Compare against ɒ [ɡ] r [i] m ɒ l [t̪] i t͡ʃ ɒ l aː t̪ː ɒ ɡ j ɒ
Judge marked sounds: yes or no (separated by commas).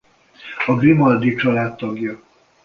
yes, yes, no